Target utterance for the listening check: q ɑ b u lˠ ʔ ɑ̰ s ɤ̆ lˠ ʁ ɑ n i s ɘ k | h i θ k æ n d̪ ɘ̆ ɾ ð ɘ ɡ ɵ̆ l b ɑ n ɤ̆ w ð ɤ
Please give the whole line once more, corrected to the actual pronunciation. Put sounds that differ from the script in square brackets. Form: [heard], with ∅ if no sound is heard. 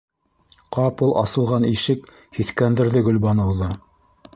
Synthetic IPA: q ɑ [p] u lˠ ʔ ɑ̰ s ɤ̆ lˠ ʁ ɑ n i [ʃ] ɘ k | h i θ k æ n d̪ ɘ̆ ɾ ð ɘ ɡ ɵ̆ l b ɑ n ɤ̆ w ð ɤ